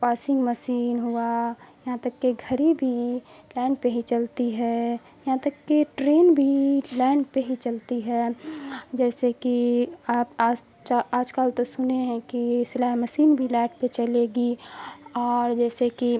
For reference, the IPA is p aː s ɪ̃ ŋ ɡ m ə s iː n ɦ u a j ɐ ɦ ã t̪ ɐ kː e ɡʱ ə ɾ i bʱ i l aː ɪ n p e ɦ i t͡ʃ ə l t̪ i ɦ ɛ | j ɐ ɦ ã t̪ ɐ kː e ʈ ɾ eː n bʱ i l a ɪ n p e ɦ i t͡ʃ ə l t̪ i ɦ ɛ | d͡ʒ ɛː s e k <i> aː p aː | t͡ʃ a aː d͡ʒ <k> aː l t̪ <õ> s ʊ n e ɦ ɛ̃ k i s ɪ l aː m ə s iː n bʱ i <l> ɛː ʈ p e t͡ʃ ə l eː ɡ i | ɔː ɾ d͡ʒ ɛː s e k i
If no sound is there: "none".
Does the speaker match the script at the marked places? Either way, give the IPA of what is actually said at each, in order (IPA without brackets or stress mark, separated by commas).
i, k, o, l